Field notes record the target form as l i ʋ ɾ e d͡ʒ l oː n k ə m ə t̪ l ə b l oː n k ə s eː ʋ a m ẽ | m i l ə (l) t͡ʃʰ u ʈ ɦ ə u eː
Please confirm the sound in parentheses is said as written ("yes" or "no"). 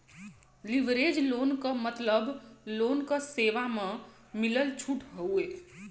yes